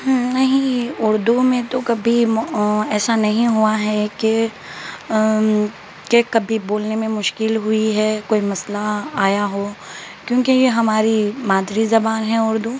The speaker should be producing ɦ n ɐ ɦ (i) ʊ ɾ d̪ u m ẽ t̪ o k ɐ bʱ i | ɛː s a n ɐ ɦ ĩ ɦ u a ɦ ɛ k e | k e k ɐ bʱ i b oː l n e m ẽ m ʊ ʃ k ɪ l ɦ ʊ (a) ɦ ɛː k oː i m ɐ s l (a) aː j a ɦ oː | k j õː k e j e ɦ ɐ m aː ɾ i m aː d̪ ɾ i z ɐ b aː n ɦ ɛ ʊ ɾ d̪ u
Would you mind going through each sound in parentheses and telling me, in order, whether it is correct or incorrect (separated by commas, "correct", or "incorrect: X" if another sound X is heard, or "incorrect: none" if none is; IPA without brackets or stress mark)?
incorrect: ĩ, incorrect: i, correct